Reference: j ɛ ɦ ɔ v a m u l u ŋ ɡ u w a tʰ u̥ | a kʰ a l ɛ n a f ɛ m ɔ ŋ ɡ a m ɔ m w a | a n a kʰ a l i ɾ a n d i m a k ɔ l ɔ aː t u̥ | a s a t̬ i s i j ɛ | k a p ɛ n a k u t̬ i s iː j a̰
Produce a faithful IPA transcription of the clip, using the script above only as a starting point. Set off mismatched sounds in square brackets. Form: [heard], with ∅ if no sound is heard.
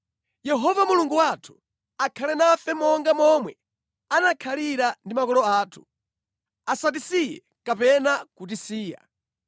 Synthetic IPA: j ɛ ɦ ɔ v a m u l u ŋ ɡ u w a tʰ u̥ | a kʰ a l ɛ n a f ɛ m ɔ ŋ ɡ a m ɔ m w [ɛ] | a n a kʰ a l i ɾ a n d i m a k ɔ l ɔ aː [tʰ] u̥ | a s a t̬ i s i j ɛ | k a p ɛ n a k u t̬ i s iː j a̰